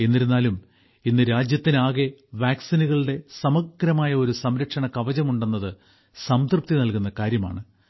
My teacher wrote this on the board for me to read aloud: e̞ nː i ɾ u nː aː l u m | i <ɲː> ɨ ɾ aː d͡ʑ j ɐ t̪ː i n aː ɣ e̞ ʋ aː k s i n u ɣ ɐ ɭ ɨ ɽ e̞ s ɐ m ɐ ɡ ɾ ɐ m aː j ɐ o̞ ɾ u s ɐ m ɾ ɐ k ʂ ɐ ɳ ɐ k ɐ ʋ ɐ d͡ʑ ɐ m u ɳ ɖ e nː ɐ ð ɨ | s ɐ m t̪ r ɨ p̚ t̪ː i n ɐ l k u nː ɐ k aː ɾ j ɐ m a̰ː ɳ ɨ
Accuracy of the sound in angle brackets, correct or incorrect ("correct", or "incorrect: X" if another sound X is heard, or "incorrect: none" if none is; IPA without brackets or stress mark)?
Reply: incorrect: nː